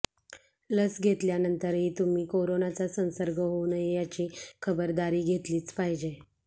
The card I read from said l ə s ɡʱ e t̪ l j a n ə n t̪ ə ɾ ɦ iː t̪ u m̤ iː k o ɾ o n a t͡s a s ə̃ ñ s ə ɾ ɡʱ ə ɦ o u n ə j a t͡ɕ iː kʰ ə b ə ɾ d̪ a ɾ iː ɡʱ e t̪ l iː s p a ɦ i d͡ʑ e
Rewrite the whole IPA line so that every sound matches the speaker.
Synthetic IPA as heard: l ə s ɡʱ e t̪ l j a n ə n t̪ ə ɾ ɦ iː t̪ u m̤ iː k o ɾ o n a t͡s a s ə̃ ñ s ə ɾ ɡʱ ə ɦ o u n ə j a t͡ɕ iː kʰ ə b ə ɾ d̪ a ɾ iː ɡʱ e t̪ l iː t͡s p a ɦ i d͡ʑ e